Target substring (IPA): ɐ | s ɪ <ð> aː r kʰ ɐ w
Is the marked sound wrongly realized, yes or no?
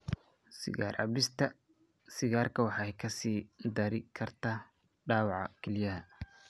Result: yes